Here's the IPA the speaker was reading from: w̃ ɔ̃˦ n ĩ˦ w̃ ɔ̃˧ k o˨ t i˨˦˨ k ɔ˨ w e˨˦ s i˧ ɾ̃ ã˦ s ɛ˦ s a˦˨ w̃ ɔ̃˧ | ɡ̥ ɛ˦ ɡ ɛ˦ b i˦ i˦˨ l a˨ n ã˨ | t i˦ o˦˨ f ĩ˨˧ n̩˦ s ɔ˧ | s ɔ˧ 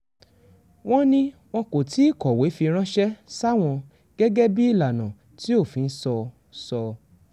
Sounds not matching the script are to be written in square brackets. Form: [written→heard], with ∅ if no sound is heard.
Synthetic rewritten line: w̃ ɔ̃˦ n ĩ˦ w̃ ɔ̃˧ k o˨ t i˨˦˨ k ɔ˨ w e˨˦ [s→f] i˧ ɾ̃ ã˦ [s→ʃ] ɛ˦ s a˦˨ w̃ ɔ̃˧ | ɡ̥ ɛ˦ ɡ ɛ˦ b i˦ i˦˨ l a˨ n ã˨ | t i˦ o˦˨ f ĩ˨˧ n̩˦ s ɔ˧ | s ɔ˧